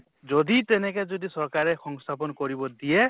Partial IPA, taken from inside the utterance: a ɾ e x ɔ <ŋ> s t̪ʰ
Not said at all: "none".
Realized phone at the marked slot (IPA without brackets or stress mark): ŋ